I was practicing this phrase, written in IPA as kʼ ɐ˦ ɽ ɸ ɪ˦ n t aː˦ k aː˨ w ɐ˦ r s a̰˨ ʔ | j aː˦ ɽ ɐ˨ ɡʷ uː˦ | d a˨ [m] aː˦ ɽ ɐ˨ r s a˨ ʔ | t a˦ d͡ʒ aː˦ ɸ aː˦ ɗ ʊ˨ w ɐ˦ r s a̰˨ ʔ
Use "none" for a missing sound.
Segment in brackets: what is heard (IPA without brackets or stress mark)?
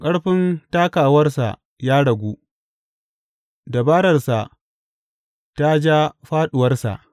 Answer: b